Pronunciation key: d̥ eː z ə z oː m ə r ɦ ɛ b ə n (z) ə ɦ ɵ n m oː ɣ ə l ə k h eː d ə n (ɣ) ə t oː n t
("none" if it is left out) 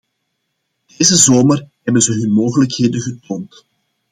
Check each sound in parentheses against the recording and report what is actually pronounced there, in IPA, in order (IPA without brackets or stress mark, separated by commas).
z, ɣ